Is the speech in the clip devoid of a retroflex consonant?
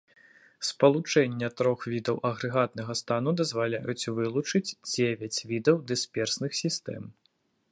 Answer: no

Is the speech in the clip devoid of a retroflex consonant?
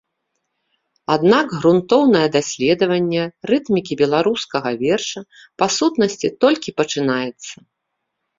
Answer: no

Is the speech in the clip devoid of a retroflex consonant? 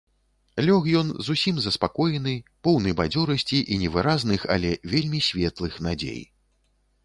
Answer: yes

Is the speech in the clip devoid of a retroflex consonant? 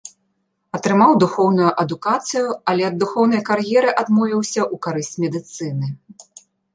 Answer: yes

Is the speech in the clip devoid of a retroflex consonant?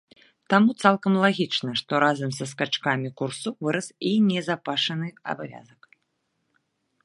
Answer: no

